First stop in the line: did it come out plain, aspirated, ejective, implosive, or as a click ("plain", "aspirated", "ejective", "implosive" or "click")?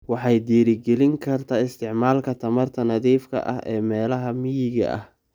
plain